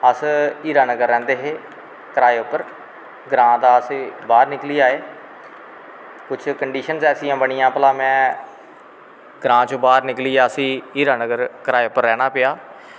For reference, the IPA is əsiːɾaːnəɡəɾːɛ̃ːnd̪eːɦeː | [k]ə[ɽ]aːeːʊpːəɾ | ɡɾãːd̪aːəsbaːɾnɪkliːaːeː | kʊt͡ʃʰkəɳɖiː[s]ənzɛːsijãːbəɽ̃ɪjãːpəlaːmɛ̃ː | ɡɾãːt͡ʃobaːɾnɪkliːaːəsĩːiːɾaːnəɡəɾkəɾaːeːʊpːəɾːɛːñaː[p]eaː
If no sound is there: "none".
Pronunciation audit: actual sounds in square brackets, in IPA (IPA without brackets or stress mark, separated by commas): k, ɾ, ʃ, p